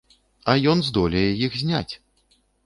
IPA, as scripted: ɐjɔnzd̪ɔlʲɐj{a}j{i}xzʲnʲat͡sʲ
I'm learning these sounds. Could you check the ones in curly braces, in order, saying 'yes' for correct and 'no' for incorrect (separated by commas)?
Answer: no, yes